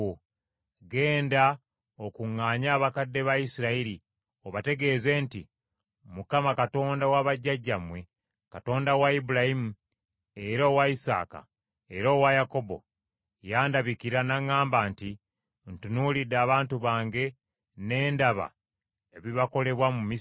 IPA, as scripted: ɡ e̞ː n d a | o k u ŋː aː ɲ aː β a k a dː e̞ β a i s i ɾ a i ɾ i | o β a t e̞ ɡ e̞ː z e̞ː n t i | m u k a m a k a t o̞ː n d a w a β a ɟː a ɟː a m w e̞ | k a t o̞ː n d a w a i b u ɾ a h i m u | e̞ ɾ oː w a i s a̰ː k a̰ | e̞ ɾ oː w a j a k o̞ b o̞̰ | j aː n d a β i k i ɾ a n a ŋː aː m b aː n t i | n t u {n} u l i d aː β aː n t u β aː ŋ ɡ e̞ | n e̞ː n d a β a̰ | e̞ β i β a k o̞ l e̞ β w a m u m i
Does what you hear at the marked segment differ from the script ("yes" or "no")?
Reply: no